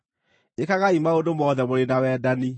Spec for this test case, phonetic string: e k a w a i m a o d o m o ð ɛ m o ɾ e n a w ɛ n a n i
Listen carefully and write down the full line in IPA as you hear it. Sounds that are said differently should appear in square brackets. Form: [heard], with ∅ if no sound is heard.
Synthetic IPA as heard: e k a [ɣ] a i m a o d o m [ɔ] ð ɛ m o ɾ e n a w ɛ [d] a n i